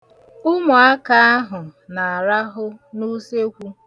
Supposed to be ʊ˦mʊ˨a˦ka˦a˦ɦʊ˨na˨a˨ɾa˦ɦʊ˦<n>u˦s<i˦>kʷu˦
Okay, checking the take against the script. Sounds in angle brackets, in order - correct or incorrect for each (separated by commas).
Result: correct, incorrect